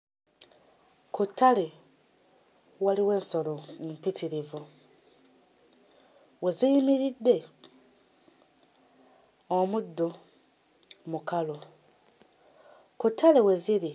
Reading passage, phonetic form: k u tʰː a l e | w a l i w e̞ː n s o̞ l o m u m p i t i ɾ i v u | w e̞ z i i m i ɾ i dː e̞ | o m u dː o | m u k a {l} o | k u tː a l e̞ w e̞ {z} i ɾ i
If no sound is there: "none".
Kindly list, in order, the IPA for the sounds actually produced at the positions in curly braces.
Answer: l, z

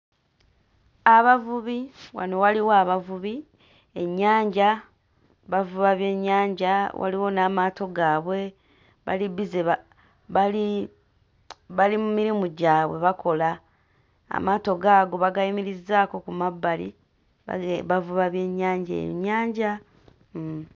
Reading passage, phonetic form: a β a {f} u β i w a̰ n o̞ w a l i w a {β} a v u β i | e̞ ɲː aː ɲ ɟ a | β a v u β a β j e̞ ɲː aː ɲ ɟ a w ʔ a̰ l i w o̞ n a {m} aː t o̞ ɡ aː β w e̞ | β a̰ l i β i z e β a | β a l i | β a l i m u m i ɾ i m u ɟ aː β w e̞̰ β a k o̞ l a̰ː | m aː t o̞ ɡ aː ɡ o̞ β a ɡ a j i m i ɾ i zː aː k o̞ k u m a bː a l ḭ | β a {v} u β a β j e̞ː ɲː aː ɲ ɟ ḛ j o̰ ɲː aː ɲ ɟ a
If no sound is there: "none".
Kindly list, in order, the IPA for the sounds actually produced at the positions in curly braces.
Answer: v, β, m, v

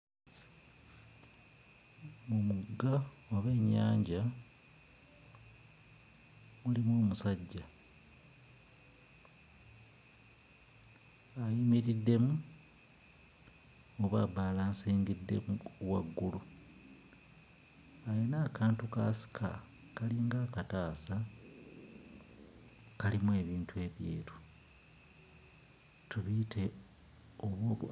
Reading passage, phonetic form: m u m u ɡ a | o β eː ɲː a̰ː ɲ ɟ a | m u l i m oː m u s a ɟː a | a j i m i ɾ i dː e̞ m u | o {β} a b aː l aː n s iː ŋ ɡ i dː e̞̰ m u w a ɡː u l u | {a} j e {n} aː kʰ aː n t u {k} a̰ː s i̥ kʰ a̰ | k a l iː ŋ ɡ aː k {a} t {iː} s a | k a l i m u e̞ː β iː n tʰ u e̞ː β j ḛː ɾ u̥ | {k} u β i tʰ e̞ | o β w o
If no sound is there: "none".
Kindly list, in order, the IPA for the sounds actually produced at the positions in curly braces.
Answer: β, a, n, k, a, aː, t

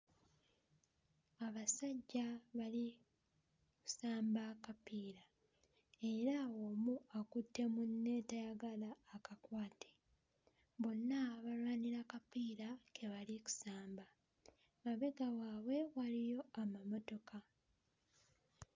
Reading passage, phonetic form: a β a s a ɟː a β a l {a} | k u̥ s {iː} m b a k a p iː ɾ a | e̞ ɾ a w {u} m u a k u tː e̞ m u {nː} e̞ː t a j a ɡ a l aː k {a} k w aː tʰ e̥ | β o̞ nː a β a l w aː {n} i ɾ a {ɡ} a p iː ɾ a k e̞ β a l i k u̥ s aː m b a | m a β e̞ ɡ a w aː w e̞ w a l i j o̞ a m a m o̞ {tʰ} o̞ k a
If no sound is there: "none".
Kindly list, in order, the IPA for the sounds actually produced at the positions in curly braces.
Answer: i, aː, o, nː, a, n, k, t

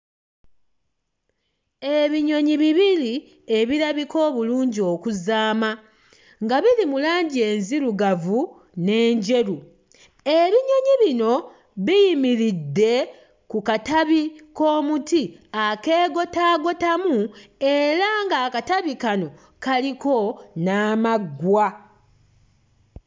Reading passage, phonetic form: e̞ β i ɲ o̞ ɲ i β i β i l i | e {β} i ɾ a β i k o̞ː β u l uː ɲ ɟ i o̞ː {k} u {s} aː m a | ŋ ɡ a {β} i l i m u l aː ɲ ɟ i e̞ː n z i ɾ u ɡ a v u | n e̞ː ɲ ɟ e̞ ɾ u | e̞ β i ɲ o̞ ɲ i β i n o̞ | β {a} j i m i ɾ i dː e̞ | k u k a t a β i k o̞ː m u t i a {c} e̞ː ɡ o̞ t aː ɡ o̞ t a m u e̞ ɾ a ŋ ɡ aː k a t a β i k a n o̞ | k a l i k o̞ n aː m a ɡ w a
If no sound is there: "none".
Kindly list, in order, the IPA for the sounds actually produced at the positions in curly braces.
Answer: β, k, z, β, i, k

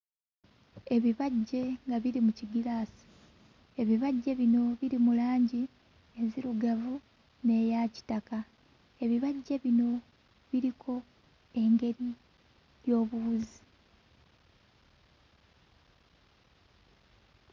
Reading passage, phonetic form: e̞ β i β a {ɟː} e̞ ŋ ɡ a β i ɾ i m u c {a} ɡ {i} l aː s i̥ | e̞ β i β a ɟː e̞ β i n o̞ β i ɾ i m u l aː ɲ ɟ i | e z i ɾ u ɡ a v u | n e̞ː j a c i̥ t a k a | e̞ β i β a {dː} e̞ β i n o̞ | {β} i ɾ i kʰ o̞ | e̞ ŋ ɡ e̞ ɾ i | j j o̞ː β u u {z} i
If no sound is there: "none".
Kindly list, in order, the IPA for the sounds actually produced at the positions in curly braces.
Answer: ɟː, i, i, ɟː, β, z

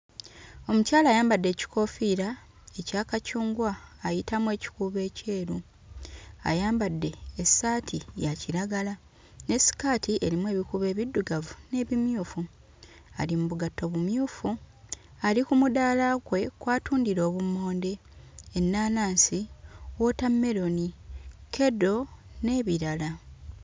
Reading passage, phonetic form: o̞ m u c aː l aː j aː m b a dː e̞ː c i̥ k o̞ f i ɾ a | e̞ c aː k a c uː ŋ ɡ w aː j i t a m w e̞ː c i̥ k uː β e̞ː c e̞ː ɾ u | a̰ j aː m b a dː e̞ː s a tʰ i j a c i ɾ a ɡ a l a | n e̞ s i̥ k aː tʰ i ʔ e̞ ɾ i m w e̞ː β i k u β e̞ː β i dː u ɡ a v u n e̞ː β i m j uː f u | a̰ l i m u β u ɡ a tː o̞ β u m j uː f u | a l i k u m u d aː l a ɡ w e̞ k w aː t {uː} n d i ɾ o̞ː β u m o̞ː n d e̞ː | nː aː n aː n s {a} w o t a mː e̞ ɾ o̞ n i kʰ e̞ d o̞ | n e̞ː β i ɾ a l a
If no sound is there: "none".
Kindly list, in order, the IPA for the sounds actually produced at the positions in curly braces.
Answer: uː, i

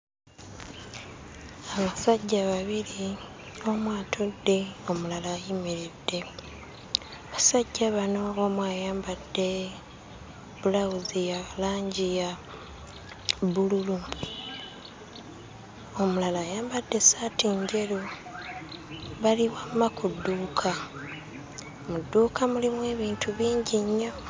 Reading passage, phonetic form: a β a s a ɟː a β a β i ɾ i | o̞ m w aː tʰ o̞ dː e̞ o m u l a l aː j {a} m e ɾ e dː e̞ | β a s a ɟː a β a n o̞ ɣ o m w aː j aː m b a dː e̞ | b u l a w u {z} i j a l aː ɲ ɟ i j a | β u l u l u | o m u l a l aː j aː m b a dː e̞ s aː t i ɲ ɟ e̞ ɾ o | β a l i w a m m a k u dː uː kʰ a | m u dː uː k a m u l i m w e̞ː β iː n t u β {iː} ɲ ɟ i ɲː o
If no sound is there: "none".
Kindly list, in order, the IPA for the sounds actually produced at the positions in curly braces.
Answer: i, z, iː

